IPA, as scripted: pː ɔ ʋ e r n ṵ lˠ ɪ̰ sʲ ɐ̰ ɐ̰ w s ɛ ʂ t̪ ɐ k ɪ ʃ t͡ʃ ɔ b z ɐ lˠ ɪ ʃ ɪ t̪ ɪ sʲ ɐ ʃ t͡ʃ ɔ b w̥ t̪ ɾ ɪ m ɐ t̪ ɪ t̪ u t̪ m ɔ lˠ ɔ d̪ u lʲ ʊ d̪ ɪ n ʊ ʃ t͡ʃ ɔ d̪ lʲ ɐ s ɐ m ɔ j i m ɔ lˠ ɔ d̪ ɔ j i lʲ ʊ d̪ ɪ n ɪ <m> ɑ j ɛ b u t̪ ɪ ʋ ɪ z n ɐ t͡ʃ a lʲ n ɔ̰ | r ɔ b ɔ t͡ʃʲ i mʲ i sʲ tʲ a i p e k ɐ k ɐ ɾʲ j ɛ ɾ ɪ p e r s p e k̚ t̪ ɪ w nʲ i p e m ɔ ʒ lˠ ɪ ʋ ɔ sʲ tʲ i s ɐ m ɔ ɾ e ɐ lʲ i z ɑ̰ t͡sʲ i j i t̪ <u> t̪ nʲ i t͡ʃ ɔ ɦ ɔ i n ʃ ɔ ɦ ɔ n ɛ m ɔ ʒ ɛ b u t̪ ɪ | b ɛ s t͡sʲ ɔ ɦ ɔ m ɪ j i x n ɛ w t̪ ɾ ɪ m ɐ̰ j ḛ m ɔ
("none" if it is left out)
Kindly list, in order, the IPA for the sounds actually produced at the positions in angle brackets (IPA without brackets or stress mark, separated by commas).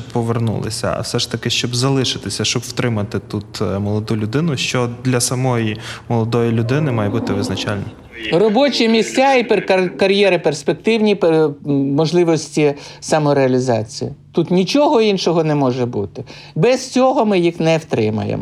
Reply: m, u